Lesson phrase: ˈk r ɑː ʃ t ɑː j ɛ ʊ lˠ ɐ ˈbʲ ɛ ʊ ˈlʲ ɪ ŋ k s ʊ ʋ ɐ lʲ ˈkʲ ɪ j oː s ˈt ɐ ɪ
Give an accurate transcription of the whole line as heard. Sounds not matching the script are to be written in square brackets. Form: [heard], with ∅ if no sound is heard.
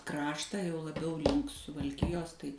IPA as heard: ˈk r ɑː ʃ t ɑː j ɛ ʊ lˠ ɐ ˈbʲ ɛ ʊ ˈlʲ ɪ ŋ k s ʊ ʋ ɐ lʲ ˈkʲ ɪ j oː s ˈt ɐ ɪ